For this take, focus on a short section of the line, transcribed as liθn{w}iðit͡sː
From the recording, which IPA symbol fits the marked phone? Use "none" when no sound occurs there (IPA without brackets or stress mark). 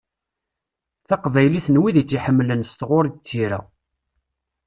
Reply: w